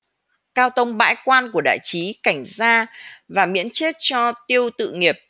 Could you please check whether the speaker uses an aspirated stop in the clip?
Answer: no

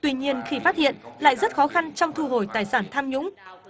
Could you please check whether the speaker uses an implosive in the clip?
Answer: no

